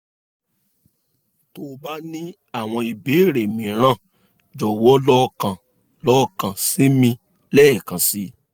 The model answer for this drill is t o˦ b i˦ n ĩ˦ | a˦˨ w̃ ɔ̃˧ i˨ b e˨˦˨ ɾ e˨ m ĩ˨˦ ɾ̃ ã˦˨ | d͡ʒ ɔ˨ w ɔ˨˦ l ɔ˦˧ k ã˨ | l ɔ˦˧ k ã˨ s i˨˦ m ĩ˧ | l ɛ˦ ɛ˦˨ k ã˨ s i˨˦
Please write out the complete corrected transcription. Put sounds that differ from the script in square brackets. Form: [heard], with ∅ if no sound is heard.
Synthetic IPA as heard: t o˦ b [a˦] n ĩ˦ | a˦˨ w̃ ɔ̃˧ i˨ b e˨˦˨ ɾ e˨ m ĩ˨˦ ɾ̃ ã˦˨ | d͡ʒ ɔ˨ w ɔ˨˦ l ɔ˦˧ k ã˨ | l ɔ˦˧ k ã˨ s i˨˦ m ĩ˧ | l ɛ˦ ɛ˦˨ k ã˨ s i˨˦